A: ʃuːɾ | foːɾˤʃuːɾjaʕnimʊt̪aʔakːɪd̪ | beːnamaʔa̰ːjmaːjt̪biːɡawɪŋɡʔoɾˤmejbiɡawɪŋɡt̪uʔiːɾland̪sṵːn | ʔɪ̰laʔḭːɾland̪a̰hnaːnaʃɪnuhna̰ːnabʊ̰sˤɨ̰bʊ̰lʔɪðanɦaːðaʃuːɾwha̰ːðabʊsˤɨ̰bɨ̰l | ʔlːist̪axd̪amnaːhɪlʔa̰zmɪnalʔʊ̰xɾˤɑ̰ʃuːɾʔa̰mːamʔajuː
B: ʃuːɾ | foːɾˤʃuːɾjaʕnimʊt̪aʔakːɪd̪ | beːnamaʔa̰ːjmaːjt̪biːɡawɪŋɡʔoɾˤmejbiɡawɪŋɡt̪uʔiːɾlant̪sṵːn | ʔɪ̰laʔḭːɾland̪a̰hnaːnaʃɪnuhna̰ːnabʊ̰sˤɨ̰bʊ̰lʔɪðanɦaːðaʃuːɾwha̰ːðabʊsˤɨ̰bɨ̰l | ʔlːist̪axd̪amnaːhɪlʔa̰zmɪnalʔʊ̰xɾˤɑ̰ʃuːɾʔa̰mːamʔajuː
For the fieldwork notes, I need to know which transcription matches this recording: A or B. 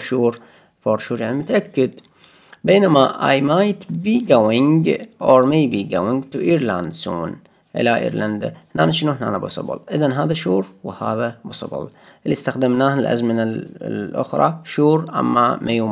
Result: A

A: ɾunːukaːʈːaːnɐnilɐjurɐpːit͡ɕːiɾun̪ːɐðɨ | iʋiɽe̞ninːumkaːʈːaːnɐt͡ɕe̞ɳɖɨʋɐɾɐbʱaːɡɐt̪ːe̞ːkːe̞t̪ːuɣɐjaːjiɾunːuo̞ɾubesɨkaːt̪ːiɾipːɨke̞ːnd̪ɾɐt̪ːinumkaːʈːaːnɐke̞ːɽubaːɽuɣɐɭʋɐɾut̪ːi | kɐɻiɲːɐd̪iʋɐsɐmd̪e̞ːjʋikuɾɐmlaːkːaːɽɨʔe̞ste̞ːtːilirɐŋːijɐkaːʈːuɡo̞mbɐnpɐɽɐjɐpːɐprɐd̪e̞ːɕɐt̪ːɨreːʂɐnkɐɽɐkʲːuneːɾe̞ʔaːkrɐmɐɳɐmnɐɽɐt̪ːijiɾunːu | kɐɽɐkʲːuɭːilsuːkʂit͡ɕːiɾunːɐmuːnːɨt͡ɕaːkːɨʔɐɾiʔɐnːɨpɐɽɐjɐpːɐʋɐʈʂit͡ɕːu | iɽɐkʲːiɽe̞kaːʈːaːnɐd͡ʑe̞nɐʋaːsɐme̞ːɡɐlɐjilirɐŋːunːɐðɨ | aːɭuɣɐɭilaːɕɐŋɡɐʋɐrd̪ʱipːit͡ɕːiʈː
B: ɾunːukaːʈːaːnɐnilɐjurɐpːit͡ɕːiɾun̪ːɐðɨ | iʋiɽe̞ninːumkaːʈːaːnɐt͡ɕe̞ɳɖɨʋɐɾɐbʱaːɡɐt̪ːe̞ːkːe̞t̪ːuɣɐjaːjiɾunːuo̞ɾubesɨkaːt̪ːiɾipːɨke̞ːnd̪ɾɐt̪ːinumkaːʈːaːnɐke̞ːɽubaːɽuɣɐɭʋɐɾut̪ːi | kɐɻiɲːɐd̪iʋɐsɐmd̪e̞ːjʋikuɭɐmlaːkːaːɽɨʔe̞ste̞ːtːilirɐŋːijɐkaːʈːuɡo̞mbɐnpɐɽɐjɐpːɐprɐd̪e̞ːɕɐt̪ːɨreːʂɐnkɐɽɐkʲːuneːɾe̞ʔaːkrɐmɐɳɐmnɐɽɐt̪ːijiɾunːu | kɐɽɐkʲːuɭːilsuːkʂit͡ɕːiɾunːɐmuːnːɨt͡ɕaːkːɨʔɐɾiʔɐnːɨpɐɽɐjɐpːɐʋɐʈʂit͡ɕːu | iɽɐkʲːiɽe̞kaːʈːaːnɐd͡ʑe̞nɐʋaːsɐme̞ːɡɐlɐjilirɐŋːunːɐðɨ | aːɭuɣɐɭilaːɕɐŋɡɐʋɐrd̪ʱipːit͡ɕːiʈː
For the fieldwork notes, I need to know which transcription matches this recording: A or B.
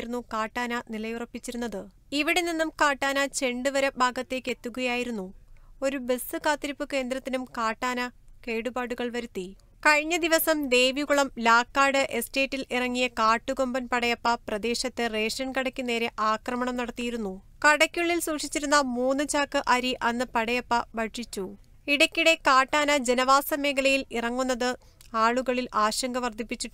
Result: B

